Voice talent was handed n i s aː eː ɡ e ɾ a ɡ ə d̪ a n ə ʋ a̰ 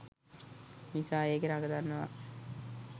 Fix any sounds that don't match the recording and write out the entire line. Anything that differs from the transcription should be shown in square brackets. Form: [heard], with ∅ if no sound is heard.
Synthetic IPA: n i s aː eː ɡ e ɾ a ɡ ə d̪ a [nː] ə ʋ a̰